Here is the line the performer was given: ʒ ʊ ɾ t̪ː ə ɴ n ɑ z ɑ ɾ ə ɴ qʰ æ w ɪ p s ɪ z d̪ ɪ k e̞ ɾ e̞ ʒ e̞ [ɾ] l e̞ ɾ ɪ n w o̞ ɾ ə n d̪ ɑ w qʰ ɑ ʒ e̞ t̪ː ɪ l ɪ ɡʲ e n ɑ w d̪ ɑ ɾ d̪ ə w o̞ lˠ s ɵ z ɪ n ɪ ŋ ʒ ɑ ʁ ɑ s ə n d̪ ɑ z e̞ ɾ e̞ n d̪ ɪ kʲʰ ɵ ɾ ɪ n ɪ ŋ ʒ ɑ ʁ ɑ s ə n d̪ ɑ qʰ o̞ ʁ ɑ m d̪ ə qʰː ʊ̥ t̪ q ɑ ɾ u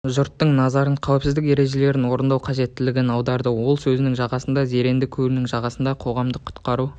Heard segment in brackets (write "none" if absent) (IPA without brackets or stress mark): none